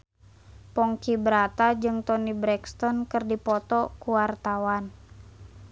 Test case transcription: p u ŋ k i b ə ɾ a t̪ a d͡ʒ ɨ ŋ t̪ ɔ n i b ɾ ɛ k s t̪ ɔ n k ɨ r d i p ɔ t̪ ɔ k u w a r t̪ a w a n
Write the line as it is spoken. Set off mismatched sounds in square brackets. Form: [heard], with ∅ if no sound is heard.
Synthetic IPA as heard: p [ɔ] ŋ k i b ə ɾ a t̪ a d͡ʒ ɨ ŋ t̪ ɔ n i b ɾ ɛ k s t̪ ɔ n k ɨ r d i p ɔ t̪ ɔ k u w a r t̪ a w a n